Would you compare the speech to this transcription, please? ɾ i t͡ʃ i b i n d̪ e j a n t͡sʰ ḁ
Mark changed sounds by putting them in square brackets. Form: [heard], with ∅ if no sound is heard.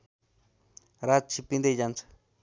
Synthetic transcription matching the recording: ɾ [a] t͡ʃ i [p] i n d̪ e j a n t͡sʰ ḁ